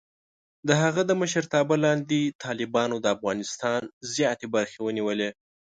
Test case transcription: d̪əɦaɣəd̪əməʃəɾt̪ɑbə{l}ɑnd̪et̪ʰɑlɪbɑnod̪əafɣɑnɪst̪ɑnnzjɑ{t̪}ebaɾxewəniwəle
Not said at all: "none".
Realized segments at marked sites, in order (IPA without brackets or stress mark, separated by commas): l, t̪